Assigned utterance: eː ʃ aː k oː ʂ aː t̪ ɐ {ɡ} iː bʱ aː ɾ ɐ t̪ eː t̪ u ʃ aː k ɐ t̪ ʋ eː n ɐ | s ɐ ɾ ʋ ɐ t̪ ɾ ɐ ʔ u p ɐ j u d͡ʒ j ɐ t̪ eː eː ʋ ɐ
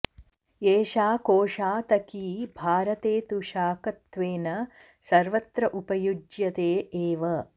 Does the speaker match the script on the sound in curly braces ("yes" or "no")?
no